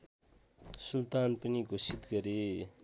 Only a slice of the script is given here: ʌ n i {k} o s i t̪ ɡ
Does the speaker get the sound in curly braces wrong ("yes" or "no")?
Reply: yes